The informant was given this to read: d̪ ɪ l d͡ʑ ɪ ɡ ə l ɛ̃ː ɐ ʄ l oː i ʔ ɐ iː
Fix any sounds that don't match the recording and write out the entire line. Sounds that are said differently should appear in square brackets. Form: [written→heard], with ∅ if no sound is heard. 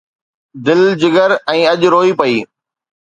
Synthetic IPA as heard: d̪ ɪ l d͡ʑ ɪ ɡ ə [l→ɾ] ɛ̃ː ɐ ʄ [l→ɾ] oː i [ʔ→p] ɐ iː